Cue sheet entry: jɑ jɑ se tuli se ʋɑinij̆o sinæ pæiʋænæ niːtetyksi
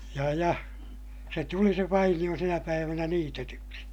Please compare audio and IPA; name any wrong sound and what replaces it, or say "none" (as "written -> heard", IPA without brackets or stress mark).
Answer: none